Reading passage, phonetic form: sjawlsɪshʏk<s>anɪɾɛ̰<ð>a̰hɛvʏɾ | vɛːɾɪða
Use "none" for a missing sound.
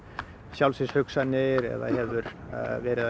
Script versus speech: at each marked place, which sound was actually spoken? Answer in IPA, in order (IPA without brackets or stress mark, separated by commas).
s, ð